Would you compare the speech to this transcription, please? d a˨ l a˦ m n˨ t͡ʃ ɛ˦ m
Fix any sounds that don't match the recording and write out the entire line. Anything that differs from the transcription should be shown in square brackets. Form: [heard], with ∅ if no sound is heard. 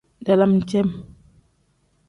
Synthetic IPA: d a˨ l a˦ m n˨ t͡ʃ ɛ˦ m